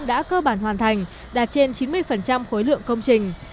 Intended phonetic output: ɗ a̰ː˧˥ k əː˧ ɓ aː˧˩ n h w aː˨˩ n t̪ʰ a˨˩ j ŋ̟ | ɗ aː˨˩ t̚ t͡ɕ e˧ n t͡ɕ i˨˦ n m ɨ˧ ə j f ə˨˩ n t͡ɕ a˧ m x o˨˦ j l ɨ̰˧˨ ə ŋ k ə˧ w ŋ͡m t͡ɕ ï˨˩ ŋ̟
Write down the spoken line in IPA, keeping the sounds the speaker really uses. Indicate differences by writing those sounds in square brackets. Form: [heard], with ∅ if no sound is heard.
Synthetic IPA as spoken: ɗ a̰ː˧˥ k əː˧ ɓ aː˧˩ n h w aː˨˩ n t̪ʰ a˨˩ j ŋ̟ | ɗ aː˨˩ t̚ t͡ɕ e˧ n t͡ɕ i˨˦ n m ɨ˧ ə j f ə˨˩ n t͡ɕ a˧ m x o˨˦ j l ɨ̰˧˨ ə ŋ k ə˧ w ŋ͡m t͡ɕ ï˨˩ ŋ̟